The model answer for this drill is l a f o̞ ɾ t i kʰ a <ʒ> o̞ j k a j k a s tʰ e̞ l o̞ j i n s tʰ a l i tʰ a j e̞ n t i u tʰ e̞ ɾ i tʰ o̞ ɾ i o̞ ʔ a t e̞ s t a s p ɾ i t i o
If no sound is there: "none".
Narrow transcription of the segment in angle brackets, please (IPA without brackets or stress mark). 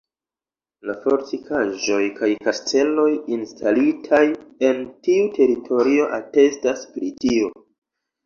ʒ